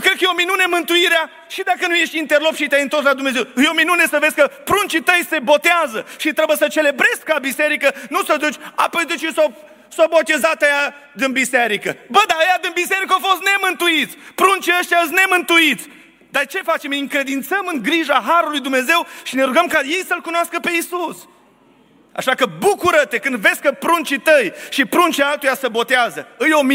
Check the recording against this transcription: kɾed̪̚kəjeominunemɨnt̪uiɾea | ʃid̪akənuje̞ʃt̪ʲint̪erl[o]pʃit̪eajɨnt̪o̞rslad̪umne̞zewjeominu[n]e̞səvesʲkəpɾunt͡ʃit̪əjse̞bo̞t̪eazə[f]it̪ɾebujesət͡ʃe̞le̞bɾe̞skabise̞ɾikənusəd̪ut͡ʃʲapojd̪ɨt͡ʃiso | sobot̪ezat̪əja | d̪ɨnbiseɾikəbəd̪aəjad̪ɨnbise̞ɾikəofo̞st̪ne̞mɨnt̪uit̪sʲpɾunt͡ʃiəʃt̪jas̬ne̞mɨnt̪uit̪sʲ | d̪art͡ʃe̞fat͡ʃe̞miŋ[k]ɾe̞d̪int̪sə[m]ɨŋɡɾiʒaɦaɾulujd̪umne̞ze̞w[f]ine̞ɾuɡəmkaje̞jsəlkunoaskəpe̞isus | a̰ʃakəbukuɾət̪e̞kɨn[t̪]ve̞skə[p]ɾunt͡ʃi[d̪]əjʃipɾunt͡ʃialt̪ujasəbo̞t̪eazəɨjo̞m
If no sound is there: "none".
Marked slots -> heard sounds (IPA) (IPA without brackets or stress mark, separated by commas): o, n, ʃ, k, m, ʃ, d̪, p, t̪